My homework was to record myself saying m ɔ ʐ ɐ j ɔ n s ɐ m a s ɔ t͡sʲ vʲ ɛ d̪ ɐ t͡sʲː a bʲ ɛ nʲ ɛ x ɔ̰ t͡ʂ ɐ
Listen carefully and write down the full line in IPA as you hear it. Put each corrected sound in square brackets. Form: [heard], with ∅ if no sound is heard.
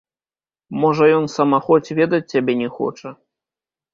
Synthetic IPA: m ɔ ʐ ɐ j ɔ n s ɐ m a [x] ɔ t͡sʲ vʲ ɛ d̪ ɐ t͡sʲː a bʲ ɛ nʲ ɛ x ɔ̰ t͡ʂ ɐ